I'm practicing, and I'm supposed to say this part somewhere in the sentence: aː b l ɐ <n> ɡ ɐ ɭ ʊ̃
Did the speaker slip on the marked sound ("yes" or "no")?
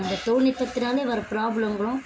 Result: yes